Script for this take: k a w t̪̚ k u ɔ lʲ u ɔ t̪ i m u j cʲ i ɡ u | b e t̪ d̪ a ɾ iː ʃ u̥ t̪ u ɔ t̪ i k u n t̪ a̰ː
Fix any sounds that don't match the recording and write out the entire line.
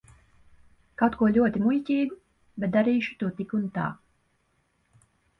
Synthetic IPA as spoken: k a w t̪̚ k u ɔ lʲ u ɔ t̪ i m u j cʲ iː ɡ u | b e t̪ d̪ a ɾ iː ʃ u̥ t̪ u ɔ t̪ i k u n t̪ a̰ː